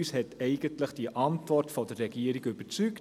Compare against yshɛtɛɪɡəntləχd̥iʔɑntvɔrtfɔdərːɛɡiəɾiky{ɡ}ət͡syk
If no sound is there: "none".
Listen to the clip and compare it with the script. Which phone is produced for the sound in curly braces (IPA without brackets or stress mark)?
b